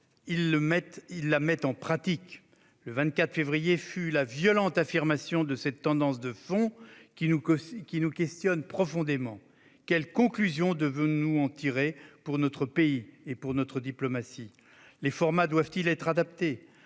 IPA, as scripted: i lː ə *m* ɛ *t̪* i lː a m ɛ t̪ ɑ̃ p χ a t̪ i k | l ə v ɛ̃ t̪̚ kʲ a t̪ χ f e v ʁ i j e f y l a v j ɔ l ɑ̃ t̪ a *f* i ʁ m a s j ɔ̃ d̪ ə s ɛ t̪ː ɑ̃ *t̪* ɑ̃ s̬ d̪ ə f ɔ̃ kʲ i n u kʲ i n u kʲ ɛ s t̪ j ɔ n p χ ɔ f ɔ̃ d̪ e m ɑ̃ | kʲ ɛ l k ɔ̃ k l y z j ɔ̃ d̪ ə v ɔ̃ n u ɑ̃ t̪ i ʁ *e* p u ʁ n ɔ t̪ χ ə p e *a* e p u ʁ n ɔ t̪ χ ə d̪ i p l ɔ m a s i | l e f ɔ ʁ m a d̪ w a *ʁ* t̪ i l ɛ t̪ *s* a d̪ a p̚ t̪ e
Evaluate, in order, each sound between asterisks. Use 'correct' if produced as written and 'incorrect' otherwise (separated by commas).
correct, correct, correct, incorrect, correct, incorrect, incorrect, incorrect